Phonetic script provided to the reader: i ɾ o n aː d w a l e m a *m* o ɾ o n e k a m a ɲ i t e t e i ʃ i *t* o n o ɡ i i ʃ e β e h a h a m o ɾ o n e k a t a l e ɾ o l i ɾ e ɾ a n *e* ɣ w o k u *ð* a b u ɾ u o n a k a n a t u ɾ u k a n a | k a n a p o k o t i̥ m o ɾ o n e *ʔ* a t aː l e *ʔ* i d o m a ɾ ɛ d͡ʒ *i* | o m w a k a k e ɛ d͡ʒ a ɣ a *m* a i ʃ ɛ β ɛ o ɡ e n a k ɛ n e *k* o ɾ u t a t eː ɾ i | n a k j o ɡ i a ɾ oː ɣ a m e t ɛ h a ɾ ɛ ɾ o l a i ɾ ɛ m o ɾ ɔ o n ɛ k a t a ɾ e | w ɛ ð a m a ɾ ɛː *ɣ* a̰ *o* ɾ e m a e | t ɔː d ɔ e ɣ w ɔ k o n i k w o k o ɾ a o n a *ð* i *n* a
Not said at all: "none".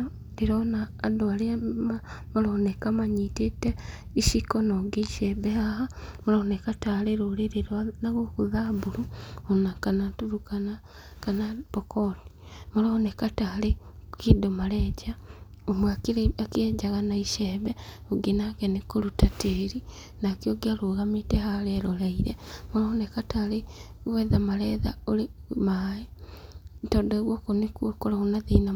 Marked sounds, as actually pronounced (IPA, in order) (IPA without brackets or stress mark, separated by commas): m, k, a, ð, k, k, a, n, k, ð, o, ð, n